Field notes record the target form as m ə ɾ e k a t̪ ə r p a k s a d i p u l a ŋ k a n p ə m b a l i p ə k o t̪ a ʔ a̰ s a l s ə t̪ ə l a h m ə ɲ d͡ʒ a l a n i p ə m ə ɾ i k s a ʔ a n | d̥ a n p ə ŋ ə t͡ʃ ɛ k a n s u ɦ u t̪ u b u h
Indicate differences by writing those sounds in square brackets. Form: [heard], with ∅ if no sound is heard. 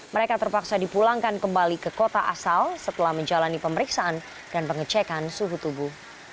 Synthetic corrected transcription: m ə ɾ e k a t̪ ə r p a k s a d i p u l a ŋ k a n [k] ə m b a l i [k] ə k o t̪ a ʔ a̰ s a l s ə t̪ ə l a h m ə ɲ d͡ʒ a l a n i p ə m ə ɾ i k s a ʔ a n | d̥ a n p ə ŋ ə t͡ʃ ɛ k a n s u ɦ u t̪ u b u h